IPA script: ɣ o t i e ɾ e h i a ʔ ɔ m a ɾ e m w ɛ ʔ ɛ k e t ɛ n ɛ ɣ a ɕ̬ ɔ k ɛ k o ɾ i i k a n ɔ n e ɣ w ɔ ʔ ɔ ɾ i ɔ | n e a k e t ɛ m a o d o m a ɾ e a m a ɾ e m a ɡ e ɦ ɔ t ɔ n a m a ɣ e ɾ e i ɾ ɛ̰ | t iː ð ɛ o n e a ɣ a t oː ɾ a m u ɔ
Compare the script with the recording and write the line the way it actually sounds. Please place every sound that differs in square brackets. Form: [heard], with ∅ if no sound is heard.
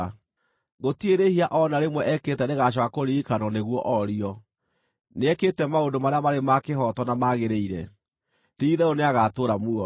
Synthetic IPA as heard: ɣ o t i e ɾ e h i a ʔ ɔ [n] a ɾ e m w ɛ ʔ ɛ k e t ɛ n [e] ɣ a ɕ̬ ɔ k [a] k o ɾ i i k a n ɔ n e ɣ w ɔ ʔ ɔ ɾ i ɔ | n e [ɛ] k e t ɛ m a o d o m a ɾ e a m a ɾ e m a [k] e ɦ ɔ t ɔ n a m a ɣ e ɾ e i ɾ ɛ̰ | t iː ð ɛ o n e a ɣ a t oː ɾ a m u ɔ